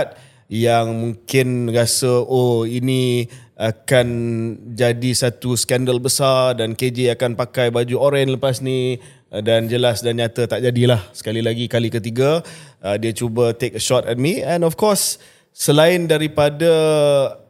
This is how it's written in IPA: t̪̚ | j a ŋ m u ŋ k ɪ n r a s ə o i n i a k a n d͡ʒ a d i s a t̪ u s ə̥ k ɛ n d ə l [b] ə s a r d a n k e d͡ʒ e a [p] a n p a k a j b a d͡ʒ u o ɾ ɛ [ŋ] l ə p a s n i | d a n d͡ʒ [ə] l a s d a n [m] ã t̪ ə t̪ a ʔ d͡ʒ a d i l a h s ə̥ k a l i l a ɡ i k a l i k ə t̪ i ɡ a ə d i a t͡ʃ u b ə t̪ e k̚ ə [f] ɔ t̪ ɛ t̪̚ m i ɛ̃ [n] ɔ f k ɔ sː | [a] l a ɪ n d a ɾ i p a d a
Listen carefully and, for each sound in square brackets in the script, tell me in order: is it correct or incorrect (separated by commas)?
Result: correct, incorrect, incorrect, correct, incorrect, incorrect, correct, incorrect